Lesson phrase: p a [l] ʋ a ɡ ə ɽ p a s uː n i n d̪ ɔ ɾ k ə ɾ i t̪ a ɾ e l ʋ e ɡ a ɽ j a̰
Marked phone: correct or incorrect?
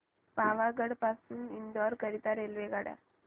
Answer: incorrect